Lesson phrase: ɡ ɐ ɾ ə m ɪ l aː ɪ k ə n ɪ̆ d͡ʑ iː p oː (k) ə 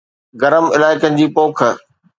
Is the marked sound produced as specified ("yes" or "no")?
no